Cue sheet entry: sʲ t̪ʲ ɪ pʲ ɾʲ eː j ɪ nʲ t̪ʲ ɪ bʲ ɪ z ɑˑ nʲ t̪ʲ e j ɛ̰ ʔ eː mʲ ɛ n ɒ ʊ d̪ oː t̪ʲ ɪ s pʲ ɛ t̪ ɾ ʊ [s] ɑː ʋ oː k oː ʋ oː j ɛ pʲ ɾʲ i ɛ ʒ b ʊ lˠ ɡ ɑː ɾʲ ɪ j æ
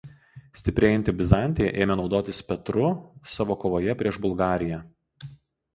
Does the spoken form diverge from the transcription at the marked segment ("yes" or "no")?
no